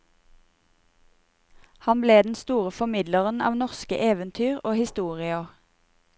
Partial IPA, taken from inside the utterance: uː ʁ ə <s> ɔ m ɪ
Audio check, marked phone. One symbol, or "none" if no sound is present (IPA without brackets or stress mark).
f